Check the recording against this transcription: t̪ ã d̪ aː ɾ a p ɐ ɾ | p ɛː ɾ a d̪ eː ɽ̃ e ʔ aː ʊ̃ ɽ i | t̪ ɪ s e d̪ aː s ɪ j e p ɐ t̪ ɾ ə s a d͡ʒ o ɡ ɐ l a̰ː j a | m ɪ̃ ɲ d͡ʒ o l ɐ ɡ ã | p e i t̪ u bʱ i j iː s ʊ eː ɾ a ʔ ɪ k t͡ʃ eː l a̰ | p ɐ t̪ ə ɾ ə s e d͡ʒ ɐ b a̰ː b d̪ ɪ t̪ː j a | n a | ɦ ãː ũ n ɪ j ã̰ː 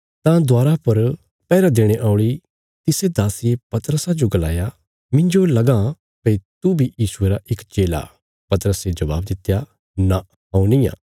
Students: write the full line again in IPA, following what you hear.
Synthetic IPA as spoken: t̪ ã d̪ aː ɾ a p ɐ ɾ | p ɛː ɾ a d̪ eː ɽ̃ e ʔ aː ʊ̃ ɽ i | t̪ ɪ s e d̪ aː s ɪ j e p ɐ t̪ ɾ ə s a d͡ʒ o ɡ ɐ l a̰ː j a | m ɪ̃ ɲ d͡ʒ o l ɐ ɡ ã | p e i t̪ u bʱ i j iː s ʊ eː ɾ a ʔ ɪ k t͡ʃ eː l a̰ | p ɐ t̪ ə ɾ ə s e d͡ʒ ɐ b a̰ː b d̪ ɪ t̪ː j a | n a | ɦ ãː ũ n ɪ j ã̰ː